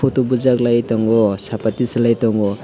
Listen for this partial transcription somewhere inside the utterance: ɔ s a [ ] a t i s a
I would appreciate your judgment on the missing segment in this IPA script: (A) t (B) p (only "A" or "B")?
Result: B